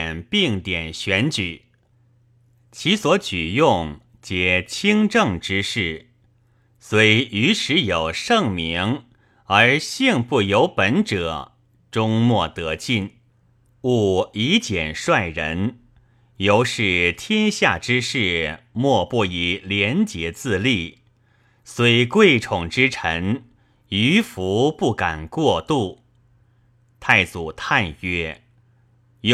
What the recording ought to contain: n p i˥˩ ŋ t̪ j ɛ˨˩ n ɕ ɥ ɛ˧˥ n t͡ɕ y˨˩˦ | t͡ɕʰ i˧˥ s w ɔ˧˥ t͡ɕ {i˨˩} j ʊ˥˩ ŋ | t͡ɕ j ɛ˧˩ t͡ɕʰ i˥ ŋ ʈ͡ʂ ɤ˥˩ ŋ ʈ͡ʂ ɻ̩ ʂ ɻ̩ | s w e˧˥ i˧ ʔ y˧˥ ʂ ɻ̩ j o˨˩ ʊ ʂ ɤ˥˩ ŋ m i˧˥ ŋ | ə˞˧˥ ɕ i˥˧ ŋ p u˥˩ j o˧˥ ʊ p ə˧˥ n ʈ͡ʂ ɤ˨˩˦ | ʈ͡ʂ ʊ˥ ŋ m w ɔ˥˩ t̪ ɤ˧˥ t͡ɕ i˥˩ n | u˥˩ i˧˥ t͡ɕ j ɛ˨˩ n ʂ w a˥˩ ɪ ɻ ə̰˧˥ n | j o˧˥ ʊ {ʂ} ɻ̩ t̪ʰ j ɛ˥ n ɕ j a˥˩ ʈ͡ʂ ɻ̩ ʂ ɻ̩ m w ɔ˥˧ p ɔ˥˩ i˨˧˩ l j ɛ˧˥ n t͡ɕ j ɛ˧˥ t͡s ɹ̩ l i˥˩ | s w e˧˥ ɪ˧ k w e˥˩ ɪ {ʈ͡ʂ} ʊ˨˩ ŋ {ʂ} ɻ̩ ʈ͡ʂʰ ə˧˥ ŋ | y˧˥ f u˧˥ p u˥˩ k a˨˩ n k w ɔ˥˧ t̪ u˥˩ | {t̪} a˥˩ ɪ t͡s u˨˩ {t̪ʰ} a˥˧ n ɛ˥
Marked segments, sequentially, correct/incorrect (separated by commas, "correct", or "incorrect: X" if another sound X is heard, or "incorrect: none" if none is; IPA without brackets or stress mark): incorrect: y˨˩, correct, incorrect: ʈ͡ʂʰ, incorrect: ʈ͡ʂ, incorrect: t̪ʰ, correct